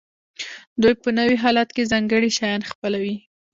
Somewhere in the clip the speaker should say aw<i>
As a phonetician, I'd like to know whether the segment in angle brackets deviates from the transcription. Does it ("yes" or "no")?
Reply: no